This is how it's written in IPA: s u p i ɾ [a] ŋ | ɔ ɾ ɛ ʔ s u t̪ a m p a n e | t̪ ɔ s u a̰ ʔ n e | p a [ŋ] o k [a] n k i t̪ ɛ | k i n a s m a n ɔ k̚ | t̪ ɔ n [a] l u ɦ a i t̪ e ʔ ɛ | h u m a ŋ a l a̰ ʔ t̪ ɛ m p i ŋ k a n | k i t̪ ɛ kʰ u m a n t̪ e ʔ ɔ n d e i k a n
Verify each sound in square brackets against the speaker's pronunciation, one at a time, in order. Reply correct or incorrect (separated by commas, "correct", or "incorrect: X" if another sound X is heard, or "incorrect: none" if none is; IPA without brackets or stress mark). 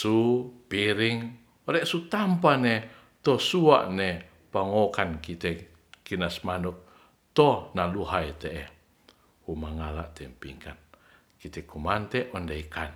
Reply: incorrect: i, correct, correct, correct